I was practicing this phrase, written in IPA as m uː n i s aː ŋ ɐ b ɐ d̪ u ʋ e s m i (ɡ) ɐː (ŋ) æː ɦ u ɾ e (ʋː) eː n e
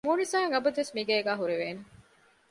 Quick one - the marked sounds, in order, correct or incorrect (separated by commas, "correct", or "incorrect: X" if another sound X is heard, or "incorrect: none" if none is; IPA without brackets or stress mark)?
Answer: correct, incorrect: ɡ, incorrect: ʋ